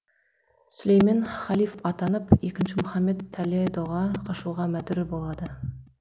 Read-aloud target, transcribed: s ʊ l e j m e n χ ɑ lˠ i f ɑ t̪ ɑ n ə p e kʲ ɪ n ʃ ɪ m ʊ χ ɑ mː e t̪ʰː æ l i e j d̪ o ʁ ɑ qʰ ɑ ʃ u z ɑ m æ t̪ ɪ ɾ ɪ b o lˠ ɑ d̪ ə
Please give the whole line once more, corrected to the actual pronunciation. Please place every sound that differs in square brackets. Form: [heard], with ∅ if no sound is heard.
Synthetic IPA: s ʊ l e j m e n χ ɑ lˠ i f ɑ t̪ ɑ n ə p e kʲ ɪ n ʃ ɪ m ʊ χ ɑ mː e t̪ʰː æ l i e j d̪ o ʁ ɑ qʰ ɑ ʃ u [ʁ] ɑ m æ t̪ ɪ ɾ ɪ b o lˠ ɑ d̪ ə

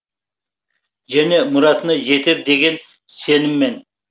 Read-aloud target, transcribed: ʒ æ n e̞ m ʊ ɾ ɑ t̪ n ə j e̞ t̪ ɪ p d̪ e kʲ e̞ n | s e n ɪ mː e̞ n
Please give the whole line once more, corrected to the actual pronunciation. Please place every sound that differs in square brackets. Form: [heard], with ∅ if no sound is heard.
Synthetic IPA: ʒ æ n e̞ m ʊ ɾ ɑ t̪ n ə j e̞ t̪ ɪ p d̪ e [ɡʲ] e̞ n | s e n ɪ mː e̞ n

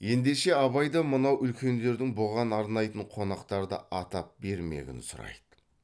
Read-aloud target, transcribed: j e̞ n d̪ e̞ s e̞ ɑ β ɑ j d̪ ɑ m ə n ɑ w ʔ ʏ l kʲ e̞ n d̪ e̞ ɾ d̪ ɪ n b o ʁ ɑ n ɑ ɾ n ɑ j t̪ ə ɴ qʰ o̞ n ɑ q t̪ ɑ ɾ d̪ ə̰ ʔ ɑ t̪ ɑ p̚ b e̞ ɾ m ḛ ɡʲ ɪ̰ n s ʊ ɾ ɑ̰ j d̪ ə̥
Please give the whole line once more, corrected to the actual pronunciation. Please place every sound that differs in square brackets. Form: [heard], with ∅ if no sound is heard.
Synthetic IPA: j e̞ n d̪ e̞ [ʃ] e̞ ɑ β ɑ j d̪ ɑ m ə n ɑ w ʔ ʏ l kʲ e̞ n d̪ e̞ ɾ d̪ ɪ [ŋ] b o ʁ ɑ n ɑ ɾ n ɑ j t̪ ə ɴ qʰ o̞ n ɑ q t̪ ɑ ɾ d̪ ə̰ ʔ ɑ t̪ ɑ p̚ b e̞ ɾ m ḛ ɡʲ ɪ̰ n s ʊ ɾ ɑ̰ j d̪ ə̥

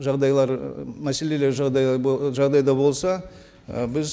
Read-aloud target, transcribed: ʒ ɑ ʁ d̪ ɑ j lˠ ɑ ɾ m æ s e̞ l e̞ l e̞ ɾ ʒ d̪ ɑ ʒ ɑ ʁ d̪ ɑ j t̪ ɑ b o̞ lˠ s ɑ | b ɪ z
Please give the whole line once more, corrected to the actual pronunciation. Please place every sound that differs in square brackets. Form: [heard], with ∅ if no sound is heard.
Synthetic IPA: ʒ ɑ ʁ d̪ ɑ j lˠ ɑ ɾ m æ s e̞ l e̞ l e̞ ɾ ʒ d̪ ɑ ʒ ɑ ʁ d̪ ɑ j [d̪] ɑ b o̞ lˠ s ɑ | b ɪ z

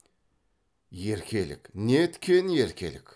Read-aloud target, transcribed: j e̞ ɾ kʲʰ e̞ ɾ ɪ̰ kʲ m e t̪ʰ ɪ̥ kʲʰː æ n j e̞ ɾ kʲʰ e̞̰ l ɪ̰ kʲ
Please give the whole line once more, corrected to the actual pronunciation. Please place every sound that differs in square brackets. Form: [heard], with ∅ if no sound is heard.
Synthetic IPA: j e̞ ɾ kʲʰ e̞ [l] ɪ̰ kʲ [n] e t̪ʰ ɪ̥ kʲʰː [e] n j e̞ ɾ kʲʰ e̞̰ l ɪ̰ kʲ

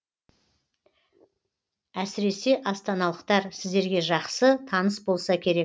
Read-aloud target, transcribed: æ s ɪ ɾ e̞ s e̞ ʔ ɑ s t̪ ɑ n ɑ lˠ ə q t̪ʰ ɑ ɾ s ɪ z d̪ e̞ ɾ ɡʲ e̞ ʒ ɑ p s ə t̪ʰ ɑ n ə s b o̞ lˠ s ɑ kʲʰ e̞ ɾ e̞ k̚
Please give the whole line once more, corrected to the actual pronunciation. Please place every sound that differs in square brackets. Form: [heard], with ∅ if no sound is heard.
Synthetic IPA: æ s ɪ ɾ e̞ s e̞ ʔ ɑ s t̪ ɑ n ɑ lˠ ə q [t̪] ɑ ɾ s ɪ z d̪ e̞ ɾ ɡʲ e̞ ʒ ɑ [q] s ə t̪ʰ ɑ n ə s b o̞ lˠ s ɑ kʲʰ e̞ ɾ e̞ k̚

